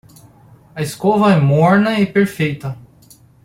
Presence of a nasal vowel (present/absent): absent